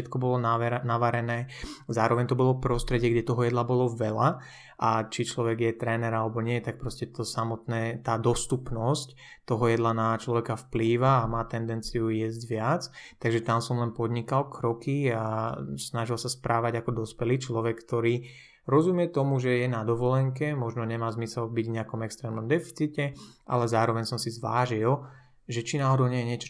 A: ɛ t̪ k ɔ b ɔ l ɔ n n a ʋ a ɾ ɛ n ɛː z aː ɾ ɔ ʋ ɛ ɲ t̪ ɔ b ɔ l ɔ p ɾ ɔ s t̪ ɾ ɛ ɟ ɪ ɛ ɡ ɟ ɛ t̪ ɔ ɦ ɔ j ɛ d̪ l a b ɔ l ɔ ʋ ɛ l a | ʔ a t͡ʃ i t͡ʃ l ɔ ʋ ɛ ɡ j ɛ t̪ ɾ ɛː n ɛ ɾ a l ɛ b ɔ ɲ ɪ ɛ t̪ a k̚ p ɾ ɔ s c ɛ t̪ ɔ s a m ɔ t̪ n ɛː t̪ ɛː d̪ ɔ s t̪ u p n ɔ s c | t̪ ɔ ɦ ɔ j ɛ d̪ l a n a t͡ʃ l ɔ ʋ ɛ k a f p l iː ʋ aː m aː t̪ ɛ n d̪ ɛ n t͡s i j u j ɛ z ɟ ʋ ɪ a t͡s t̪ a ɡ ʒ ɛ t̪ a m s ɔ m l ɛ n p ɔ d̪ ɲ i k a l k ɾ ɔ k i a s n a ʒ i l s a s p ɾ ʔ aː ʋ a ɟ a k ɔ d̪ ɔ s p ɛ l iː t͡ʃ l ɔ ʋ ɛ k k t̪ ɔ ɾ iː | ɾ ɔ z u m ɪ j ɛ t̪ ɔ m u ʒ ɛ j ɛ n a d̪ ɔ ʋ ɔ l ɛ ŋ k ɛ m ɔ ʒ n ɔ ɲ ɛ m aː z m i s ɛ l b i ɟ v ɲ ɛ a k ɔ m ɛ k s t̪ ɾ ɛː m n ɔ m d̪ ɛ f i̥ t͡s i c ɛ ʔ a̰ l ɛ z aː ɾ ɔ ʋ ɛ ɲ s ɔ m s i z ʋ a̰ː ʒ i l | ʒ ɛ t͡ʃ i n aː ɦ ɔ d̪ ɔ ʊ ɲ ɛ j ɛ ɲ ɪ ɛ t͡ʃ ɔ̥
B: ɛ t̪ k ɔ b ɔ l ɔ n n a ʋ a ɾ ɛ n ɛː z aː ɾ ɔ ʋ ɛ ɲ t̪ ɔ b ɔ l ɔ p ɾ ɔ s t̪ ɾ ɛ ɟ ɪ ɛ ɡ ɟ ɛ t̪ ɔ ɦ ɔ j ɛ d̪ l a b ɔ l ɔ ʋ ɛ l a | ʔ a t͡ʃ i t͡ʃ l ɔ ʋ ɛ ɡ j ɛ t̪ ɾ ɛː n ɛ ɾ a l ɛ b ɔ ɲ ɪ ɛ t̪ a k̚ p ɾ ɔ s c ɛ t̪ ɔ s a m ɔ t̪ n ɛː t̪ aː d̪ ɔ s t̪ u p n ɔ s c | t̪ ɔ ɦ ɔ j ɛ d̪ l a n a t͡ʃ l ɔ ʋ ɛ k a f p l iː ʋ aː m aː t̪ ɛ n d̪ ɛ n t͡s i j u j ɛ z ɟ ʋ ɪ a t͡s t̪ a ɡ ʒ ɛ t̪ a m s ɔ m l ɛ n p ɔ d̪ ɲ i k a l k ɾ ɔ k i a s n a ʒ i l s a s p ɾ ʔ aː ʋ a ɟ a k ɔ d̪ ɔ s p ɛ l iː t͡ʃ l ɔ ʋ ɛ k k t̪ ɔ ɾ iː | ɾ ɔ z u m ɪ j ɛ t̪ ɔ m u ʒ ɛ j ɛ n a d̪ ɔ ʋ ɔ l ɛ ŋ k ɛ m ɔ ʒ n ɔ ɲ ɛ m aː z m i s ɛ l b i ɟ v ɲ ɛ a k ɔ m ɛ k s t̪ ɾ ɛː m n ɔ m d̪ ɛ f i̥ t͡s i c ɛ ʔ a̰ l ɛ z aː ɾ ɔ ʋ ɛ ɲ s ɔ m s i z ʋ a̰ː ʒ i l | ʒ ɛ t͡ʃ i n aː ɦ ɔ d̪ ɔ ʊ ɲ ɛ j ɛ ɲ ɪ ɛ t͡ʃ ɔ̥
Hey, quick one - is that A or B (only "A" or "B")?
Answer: B